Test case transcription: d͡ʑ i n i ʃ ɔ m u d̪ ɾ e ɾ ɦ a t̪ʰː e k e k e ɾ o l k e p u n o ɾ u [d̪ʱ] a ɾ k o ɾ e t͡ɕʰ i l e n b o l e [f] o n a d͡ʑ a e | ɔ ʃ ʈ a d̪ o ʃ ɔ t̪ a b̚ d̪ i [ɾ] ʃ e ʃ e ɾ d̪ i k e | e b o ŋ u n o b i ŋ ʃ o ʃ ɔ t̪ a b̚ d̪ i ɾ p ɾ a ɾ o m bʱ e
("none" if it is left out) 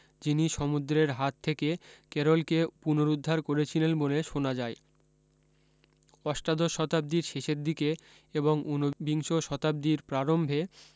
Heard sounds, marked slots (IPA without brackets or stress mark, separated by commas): d̪ʱː, ʃ, ɾ